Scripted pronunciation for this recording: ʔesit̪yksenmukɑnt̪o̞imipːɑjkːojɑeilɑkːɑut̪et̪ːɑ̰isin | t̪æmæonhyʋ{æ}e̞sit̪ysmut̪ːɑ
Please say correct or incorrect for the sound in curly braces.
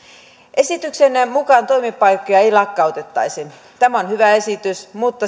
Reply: correct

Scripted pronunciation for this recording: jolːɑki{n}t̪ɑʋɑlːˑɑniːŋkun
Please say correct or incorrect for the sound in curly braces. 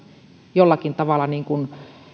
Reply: correct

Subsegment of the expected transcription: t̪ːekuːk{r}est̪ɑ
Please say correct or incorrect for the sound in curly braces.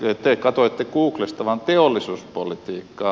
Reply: incorrect: l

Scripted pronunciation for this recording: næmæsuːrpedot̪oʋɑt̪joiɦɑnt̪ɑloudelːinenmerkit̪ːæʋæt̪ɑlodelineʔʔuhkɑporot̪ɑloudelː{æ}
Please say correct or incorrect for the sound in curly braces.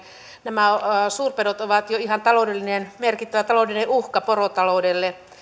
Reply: incorrect: e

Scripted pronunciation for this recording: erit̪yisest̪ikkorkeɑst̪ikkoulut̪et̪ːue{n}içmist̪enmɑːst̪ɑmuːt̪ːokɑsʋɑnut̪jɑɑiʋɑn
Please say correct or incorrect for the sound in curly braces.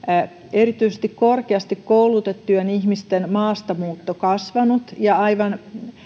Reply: correct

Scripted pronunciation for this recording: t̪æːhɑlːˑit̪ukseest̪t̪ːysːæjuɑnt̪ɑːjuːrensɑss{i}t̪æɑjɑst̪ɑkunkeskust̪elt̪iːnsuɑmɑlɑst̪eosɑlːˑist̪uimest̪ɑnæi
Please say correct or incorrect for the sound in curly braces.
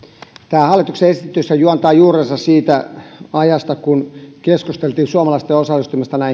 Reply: incorrect: iː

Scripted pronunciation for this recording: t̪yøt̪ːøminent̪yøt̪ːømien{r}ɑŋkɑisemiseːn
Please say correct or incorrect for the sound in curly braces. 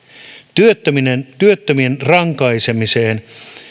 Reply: correct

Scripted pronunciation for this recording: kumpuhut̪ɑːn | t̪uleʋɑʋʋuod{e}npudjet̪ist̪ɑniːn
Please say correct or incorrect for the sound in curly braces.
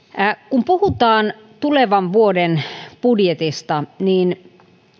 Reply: correct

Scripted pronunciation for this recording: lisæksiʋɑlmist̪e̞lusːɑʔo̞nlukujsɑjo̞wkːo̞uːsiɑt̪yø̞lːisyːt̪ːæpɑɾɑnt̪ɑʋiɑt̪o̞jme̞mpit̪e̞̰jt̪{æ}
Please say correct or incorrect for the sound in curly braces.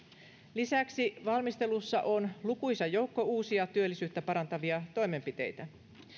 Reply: correct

